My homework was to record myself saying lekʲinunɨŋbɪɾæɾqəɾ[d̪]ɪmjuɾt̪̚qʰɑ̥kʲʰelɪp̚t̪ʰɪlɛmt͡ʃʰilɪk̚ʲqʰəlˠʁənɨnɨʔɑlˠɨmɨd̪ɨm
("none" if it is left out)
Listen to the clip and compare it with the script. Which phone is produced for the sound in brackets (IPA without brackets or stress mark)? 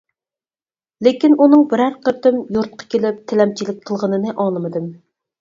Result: t̪